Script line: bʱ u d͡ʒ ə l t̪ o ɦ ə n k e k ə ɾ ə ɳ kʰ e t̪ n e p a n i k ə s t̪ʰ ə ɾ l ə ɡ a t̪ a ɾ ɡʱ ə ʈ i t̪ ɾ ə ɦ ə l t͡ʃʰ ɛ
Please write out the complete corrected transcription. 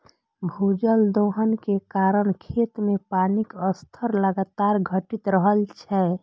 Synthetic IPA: bʱ u d͡ʒ ə l d̪ o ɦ ə n k e k a ɾ ə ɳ kʰ e t̪ m e p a n i k ə s t̪ʰ ə ɾ l ə ɡ a t̪ a ɾ ɡʱ ə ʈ i t̪ ɾ ə ɦ ə l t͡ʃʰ ɛ